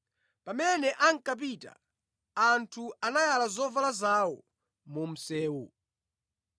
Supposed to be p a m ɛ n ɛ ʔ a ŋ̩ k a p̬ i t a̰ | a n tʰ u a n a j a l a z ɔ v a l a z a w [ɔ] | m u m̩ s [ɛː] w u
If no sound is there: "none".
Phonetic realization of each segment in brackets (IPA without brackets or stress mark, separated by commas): ɔ, ɛː